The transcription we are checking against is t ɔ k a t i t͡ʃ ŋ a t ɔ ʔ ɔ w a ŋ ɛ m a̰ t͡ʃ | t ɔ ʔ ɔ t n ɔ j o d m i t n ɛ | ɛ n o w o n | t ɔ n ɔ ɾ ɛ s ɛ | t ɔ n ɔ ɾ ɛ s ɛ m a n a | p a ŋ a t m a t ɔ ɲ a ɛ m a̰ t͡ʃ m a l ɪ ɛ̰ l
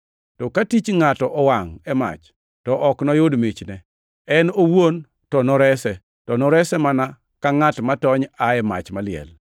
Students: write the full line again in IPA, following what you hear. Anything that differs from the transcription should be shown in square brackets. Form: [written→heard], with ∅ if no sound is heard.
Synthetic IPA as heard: t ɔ k a t i t͡ʃ ŋ a t ɔ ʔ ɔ w a ŋ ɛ m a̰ t͡ʃ | t ɔ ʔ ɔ [t→k] n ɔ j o d m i [t→t͡ʃ] n ɛ | ɛ n o w o n | t ɔ n ɔ ɾ ɛ s ɛ | t ɔ n ɔ ɾ ɛ s ɛ m a n a | [p→k] a ŋ a t m a t ɔ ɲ a ɛ m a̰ t͡ʃ m a l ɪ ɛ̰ l